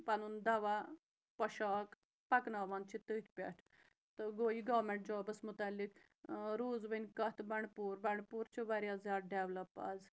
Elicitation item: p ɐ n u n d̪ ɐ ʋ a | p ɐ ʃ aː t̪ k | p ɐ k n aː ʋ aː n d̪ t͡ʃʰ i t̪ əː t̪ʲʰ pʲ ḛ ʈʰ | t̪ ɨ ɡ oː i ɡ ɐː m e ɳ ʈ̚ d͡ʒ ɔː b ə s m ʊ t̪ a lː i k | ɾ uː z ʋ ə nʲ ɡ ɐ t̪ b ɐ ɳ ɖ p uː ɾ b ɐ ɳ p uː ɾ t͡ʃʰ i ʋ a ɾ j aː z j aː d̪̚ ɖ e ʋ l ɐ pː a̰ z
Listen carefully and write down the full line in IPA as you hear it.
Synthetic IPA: p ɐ n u n d̪ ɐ ʋ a | p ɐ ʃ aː k | p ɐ k n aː ʋ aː n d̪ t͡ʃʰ i t̪ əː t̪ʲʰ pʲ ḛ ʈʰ | t̪ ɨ ɡ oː i ɡ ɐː m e ɳ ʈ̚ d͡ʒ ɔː b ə s m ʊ t̪ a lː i k | ɾ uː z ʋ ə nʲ k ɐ t̪ b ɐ ɳ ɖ p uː ɾ b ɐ ɳ p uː ɾ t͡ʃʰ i ʋ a ɾ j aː z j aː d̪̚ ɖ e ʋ l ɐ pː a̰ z